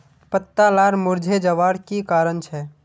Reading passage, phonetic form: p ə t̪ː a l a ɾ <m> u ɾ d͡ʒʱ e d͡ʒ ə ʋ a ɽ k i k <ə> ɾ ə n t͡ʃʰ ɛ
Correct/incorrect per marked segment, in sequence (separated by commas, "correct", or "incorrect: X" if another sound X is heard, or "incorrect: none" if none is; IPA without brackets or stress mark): correct, incorrect: a